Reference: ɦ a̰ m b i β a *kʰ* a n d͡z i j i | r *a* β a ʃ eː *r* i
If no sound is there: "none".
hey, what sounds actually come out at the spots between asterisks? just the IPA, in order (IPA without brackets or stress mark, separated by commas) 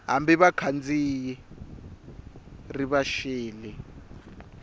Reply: kʰ, i, l